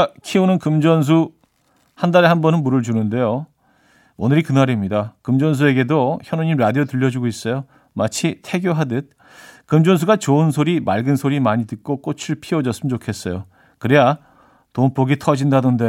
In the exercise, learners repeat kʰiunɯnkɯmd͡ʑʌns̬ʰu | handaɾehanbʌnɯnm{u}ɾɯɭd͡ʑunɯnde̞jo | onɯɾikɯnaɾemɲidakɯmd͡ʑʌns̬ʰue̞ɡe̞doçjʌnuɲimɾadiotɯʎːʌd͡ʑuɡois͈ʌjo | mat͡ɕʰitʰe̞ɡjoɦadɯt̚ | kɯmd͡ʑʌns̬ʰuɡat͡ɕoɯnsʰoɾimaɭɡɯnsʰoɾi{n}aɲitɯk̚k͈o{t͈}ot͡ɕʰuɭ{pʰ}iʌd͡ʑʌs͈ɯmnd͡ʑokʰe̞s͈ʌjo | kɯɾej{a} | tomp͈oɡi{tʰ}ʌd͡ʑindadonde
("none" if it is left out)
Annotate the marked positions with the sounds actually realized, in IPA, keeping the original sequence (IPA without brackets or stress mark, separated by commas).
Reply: u, m, k͈, pʰ, a, tʰ